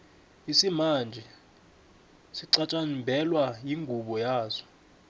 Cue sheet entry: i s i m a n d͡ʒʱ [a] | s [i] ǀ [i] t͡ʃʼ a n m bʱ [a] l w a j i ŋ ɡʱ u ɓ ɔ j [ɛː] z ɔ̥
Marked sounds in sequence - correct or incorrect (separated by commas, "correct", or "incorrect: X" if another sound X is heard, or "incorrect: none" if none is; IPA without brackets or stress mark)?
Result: incorrect: ɛ, correct, incorrect: a, incorrect: ɛ, incorrect: aː